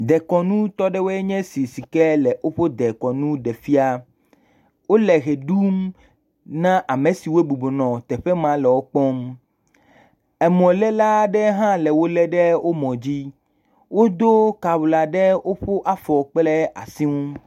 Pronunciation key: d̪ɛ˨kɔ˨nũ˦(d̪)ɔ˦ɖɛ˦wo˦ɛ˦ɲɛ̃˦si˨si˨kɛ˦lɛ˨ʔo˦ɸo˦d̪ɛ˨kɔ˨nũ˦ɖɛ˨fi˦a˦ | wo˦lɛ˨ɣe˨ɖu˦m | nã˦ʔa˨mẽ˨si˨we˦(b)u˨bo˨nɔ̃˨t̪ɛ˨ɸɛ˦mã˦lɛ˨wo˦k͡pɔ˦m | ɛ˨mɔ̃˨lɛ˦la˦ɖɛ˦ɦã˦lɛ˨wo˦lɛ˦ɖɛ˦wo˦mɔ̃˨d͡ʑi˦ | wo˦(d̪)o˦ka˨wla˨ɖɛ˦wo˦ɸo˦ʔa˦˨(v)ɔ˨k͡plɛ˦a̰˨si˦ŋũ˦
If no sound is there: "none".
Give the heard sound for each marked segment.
t̪, b, d̪, f

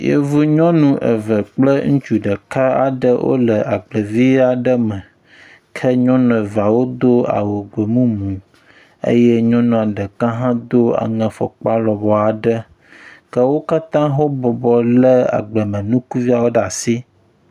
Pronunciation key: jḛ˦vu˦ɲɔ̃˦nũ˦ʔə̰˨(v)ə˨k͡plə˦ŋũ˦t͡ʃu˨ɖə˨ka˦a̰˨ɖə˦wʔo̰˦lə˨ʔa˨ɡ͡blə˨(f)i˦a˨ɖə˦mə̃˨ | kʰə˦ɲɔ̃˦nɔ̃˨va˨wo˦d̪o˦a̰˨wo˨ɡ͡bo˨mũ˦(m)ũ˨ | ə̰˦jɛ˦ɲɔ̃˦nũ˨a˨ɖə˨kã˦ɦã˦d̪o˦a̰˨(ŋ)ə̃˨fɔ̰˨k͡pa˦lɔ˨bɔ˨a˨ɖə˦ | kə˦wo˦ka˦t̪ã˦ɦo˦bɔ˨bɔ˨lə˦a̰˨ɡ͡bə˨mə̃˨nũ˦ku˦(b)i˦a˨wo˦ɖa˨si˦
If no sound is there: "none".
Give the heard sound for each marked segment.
v, v, m, ŋ, v

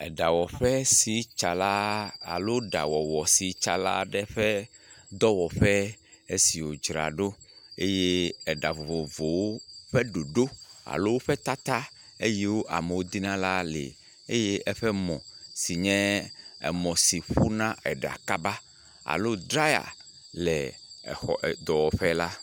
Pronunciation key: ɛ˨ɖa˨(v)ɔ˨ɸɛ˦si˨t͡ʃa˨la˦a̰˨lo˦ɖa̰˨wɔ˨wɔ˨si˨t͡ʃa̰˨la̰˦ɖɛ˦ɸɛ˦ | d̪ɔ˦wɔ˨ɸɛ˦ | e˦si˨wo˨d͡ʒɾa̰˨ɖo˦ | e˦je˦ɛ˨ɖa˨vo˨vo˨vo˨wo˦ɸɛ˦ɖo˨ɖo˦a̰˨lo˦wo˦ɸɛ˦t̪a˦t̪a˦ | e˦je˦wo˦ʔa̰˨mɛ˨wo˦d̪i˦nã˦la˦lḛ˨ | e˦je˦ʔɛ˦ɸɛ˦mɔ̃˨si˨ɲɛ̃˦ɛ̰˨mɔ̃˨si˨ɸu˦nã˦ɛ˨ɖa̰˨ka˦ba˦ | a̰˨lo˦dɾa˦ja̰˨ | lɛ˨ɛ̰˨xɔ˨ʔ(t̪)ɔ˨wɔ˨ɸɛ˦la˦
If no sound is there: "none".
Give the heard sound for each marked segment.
w, d̪

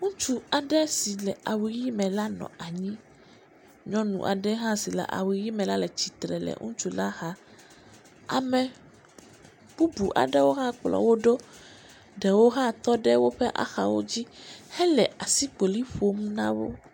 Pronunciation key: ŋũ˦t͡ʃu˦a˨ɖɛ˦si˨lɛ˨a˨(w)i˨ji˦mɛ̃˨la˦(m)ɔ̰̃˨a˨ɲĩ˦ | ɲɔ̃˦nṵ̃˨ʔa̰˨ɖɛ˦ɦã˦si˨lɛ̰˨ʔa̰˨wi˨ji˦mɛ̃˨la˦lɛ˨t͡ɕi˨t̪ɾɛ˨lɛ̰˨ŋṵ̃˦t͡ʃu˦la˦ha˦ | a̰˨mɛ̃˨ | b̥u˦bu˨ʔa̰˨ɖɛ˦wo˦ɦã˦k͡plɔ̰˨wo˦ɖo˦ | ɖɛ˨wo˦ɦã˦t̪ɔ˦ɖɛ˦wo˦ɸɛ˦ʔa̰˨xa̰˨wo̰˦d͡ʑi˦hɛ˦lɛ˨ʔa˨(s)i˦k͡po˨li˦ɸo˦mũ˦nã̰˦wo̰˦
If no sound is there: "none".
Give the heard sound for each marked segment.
w, n, s

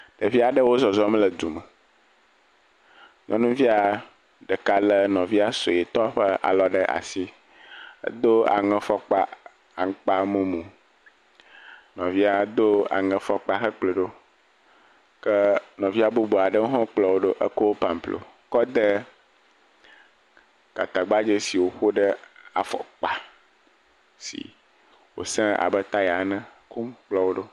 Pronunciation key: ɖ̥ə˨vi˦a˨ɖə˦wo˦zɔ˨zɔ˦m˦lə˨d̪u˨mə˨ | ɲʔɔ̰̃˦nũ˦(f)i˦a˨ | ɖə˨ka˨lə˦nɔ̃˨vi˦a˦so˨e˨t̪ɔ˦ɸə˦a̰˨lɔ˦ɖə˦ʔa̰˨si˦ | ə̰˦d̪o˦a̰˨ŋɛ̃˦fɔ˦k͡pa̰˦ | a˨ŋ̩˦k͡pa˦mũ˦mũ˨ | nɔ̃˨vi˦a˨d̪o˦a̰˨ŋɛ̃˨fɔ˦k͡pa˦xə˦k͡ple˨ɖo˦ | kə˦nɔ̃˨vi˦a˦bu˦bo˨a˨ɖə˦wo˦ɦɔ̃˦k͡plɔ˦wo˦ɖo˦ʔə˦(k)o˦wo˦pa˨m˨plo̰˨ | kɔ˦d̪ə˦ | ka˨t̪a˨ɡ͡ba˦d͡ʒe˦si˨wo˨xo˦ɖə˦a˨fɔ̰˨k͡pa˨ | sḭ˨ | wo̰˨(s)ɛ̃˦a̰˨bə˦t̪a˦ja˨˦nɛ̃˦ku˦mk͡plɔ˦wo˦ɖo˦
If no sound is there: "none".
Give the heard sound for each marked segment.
v, k, s

